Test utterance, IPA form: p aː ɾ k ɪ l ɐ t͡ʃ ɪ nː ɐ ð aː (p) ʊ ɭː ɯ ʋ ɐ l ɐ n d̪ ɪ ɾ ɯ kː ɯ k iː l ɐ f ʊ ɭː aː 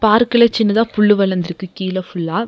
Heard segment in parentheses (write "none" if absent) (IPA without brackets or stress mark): p